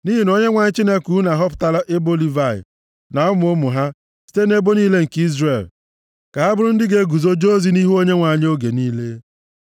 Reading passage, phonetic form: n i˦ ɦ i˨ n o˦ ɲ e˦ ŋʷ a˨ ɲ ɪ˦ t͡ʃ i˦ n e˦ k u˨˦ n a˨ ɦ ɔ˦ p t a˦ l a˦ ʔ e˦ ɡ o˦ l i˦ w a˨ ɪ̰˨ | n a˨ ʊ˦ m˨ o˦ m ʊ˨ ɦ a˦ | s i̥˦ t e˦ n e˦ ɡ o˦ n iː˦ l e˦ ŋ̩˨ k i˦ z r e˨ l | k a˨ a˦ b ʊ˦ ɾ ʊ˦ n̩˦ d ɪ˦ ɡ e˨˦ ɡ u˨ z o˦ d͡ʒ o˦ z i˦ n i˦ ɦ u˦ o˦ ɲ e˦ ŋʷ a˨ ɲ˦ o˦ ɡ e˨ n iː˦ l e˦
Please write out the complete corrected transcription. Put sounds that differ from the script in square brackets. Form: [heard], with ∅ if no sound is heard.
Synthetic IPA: n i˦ ɦ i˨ n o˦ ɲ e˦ ŋʷ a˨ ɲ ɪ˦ t͡ʃ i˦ n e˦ k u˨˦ n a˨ ɦ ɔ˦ p t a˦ l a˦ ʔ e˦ [b] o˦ l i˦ [v] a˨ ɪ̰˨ | n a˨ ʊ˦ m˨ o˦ m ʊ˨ ɦ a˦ | s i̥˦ t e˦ n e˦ [b] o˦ n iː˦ l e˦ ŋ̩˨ k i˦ z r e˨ l | k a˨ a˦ b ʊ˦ ɾ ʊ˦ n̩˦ d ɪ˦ ɡ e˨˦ ɡ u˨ z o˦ d͡ʒ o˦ z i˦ n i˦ ɦ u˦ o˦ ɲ e˦ ŋʷ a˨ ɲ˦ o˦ ɡ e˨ n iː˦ l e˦